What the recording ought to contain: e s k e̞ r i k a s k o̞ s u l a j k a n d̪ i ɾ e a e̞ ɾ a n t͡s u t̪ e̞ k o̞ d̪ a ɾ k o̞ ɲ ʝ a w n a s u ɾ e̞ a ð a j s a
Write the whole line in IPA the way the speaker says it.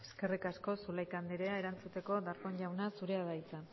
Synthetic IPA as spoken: e s k e̞ r i k a s k o̞ s u l a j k a n d̪ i ɾ e a e̞ ɾ a n t͡s u t̪ e̞ k o̞ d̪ a ɾ k o̞ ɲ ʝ a w n a s u ɾ e̞ a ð a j t͡s a

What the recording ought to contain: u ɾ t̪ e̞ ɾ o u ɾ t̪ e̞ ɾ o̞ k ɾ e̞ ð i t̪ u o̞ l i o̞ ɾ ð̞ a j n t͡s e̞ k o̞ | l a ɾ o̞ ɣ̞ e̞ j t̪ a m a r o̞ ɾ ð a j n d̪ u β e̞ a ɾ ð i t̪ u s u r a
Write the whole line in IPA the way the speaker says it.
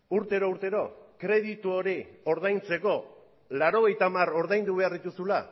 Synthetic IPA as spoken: u ɾ t̪ e̞ ɾ o u ɾ t̪ e̞ ɾ o̞ k ɾ e̞ ð i t̪ u o̞ ɾ i o̞ ɾ ð̞ a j n t͡s e̞ k o̞ | l a ɾ o̞ ɣ̞ e̞ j t̪ a m a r o̞ ɾ ð a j n d̪ u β e̞ a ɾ ð i t̪ u s u l a

